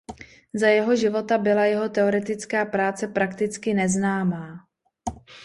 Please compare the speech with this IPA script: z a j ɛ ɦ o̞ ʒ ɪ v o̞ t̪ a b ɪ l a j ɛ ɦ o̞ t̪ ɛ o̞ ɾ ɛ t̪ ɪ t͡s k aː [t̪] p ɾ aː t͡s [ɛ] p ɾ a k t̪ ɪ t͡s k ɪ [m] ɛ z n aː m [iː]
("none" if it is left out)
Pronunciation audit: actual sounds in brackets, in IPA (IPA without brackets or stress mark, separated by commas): none, ɛ, n, aː